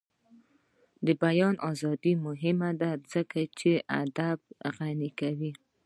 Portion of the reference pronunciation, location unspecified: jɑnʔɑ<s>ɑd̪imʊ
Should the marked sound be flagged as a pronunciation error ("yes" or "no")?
yes